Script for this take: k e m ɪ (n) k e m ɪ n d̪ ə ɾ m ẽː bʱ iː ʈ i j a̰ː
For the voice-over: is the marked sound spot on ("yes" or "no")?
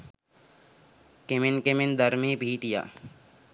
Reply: yes